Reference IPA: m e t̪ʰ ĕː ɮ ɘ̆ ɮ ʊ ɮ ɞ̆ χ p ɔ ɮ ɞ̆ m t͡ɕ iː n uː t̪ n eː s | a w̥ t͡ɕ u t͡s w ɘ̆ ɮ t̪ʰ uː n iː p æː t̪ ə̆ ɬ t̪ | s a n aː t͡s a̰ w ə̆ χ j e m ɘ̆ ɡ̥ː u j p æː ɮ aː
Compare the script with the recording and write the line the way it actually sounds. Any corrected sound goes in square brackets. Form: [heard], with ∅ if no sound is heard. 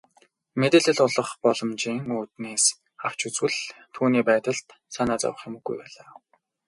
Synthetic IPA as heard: m e [t̪] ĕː ɮ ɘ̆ ɮ ʊ ɮ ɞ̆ χ p ɔ ɮ ɞ̆ m t͡ɕ iː [ŋ] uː t̪ n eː s | a w̥ t͡ɕ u t͡s w ɘ̆ ɮ t̪ʰ uː n iː p æː t̪ ə̆ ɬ t̪ | s a n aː t͡s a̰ w ə̆ χ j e m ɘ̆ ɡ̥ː u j p æː ɮ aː

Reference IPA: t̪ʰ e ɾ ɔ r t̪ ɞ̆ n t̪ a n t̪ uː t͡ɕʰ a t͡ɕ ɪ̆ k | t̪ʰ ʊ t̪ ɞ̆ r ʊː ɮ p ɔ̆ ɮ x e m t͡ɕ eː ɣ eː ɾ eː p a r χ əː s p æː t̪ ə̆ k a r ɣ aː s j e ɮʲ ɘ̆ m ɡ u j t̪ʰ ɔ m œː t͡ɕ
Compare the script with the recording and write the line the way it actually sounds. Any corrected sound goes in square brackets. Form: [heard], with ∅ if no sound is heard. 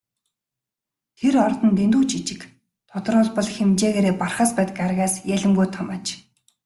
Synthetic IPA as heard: t̪ʰ e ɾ ɔ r t̪ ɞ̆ n t̪ [e] n t̪ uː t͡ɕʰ [i] t͡ɕ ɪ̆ k | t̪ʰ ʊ t̪ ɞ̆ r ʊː ɮ p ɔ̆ ɮ x e m t͡ɕ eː ɣ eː ɾ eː p a r χ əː s p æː t̪ ə̆ k a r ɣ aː s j [æ] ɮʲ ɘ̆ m ɡ u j t̪ʰ ɔ m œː t͡ɕ

